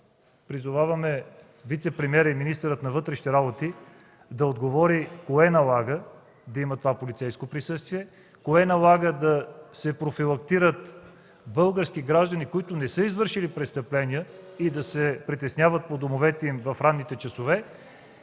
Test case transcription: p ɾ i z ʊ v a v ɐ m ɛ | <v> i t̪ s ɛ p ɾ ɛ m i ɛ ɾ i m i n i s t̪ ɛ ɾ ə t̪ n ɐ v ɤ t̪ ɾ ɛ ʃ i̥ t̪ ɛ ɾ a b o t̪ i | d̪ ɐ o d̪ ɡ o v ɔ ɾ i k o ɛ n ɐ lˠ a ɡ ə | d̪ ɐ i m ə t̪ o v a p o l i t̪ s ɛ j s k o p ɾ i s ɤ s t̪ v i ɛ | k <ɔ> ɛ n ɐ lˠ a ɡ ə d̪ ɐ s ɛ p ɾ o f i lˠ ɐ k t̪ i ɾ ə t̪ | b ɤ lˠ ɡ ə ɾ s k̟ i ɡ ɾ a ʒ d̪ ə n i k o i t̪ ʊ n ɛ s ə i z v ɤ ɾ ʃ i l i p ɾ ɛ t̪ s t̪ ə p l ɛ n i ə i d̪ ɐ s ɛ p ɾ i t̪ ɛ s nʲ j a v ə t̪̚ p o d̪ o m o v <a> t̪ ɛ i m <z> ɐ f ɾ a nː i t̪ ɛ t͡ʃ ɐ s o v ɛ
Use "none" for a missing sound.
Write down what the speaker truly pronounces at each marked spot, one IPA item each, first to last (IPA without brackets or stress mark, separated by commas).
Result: v, o, ɛ, v